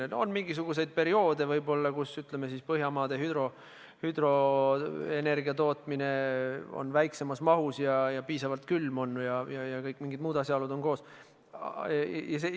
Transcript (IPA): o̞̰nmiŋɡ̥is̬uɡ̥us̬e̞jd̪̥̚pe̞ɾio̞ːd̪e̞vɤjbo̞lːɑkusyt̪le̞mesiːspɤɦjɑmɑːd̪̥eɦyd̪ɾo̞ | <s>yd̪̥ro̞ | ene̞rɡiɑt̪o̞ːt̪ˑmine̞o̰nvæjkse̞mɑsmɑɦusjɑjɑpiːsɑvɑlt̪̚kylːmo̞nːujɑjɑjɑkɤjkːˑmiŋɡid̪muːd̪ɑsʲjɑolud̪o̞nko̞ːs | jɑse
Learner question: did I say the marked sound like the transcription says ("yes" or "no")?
no